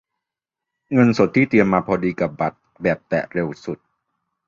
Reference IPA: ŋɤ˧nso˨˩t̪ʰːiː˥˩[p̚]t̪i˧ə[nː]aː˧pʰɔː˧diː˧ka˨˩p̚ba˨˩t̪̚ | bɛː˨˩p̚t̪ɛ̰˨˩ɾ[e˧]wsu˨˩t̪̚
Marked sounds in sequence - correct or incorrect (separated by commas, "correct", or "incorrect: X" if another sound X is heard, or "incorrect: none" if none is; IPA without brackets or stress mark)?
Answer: incorrect: none, incorrect: mː, correct